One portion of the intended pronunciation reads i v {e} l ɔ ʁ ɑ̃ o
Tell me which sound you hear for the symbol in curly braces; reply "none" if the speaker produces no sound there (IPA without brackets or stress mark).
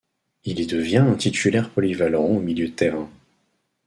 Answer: a